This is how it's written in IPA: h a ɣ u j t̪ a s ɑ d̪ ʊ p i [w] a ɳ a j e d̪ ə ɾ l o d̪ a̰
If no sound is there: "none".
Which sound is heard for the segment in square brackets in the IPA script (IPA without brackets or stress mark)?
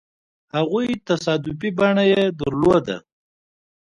b